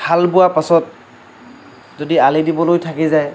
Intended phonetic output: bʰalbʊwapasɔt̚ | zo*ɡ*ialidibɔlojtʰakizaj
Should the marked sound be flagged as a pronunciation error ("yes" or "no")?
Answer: yes